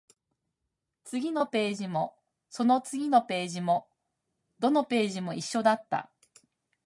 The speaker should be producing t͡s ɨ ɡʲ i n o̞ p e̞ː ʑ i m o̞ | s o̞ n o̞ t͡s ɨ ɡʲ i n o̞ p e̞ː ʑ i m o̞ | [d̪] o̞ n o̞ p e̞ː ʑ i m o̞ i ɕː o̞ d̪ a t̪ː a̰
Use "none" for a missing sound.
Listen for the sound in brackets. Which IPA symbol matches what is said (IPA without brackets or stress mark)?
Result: d̪